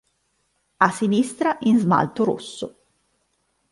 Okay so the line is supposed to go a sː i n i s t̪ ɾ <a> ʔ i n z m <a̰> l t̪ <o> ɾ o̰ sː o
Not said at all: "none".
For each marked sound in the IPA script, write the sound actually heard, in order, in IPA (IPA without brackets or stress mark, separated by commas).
a, a̰, o